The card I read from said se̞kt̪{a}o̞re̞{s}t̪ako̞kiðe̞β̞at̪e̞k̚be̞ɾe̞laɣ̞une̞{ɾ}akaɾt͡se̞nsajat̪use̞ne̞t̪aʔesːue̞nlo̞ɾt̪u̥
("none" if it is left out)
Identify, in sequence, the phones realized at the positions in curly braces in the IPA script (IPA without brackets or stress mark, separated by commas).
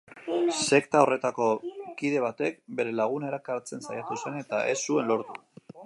a, none, ɾ